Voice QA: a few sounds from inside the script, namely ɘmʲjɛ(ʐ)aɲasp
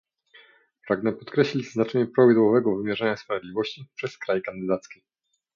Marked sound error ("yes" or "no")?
no